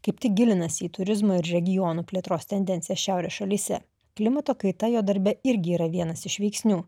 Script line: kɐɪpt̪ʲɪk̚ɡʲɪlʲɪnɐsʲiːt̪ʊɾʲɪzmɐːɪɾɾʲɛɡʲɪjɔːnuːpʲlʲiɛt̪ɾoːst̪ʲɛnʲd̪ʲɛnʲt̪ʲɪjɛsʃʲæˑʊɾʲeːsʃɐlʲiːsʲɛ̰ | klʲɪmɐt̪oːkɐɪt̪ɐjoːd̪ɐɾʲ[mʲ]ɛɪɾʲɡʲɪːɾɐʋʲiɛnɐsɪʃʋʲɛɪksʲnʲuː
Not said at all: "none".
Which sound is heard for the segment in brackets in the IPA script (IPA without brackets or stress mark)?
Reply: bʲ